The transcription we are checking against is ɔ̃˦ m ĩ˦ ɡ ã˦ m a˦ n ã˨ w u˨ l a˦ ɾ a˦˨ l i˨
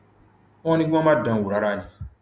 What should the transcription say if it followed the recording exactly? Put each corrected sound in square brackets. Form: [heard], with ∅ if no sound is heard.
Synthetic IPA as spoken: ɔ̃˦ [n] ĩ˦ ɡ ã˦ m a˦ [d] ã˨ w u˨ [ɾ] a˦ ɾ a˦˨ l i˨